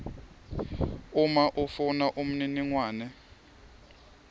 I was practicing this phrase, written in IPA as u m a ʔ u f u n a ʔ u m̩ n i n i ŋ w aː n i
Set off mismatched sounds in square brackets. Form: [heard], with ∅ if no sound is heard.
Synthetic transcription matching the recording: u m a ʔ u f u n a ʔ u m̩ n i n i ŋ w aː n [ɛ]